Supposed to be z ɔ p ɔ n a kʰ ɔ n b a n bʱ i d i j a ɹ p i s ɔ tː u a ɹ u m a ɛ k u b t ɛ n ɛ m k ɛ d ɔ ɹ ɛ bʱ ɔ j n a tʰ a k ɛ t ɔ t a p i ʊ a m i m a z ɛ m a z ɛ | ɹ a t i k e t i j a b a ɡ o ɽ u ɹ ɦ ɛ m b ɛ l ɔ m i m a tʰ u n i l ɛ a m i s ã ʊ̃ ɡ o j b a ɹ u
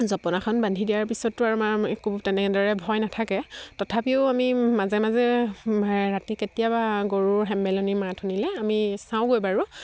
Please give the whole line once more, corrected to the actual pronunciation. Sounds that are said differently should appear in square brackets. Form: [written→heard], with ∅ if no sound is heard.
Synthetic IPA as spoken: z ɔ p ɔ n a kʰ ɔ n b a n [bʱ→dʱ] i d i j a ɹ p i s ɔ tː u a ɹ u m a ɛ k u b t ɛ n ɛ [m→∅] k ɛ d ɔ ɹ ɛ bʱ ɔ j n a tʰ a k ɛ t ɔ [t→tʰ] a p i ʊ a m i m a z ɛ m a z ɛ | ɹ a t i k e t i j a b a ɡ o [ɽ→ɹ] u ɹ ɦ ɛ m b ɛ l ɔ [m→n] i m a tʰ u n i l ɛ a m i s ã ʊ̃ ɡ o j b a ɹ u